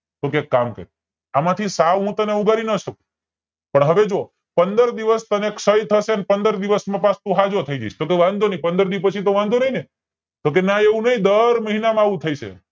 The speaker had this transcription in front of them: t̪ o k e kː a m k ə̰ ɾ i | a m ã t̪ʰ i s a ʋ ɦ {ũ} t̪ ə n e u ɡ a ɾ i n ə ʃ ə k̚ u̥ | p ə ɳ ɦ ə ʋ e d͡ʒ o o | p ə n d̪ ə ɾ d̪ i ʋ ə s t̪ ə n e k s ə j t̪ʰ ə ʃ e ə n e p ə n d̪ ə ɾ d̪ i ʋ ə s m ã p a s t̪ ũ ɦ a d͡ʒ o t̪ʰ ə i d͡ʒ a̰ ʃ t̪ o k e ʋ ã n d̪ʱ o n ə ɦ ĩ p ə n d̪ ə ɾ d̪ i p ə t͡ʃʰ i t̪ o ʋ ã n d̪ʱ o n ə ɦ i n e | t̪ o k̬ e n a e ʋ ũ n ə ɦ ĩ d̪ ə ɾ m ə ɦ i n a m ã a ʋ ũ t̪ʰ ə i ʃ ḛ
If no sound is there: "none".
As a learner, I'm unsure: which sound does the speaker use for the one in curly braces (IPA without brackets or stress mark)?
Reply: ũ